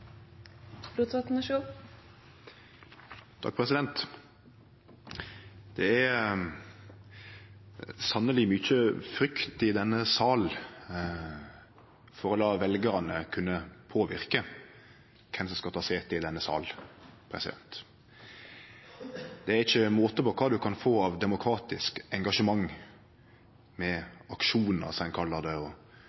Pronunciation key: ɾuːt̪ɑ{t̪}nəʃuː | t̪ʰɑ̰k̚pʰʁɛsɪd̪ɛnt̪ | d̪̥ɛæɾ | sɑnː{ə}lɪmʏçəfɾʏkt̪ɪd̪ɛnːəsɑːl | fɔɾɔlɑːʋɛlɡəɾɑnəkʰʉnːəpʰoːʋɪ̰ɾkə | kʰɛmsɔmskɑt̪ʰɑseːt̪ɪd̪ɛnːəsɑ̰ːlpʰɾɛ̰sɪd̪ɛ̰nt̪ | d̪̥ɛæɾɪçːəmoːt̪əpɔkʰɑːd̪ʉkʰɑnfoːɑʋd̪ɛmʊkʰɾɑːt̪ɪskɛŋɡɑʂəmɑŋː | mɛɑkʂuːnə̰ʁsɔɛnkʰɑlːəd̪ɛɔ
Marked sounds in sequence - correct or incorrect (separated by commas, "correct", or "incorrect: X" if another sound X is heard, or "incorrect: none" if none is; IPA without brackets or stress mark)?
correct, correct